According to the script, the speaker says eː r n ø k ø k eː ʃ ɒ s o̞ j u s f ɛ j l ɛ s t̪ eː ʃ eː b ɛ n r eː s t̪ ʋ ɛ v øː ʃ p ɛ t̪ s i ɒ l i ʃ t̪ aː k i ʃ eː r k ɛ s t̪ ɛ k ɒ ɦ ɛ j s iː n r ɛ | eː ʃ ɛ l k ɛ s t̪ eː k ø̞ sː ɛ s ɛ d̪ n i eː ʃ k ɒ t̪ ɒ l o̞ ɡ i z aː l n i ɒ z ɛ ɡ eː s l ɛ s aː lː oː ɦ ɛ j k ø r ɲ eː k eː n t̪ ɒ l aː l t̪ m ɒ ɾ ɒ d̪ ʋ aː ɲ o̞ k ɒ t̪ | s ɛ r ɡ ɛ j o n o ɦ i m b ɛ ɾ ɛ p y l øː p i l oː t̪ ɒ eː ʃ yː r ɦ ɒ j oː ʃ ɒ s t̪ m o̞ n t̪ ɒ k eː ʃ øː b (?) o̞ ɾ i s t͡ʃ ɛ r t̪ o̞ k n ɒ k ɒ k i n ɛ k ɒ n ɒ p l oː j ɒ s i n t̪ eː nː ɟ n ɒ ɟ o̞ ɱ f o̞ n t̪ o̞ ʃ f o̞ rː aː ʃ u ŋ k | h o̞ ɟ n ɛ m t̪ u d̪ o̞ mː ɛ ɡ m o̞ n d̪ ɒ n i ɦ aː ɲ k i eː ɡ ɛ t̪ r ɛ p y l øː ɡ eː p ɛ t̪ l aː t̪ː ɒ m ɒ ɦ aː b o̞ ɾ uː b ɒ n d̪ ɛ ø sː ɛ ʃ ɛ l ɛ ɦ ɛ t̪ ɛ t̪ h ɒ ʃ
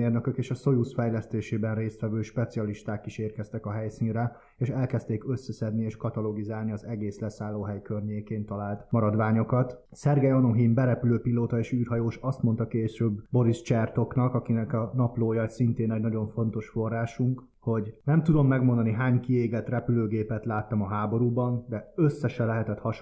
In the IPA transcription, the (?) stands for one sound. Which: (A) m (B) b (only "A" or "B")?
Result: B